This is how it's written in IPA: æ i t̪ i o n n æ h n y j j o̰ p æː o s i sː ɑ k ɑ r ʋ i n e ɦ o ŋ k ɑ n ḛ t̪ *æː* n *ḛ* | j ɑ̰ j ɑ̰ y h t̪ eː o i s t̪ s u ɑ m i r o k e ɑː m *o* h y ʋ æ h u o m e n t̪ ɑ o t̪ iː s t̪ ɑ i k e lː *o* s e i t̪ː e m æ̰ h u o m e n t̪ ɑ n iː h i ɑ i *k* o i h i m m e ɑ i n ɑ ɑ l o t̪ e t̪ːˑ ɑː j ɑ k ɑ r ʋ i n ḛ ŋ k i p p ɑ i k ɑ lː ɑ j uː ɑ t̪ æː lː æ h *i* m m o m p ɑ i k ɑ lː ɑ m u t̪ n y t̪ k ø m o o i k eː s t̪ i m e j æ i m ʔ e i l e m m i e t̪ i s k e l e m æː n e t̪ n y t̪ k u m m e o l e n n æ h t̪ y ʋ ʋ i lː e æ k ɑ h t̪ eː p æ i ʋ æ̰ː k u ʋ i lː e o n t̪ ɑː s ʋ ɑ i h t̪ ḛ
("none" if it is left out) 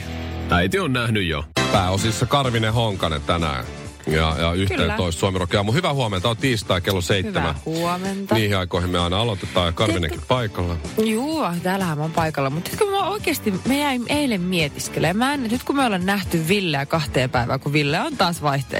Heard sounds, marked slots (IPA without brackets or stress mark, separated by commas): æ, æ̰, u, o, k, æ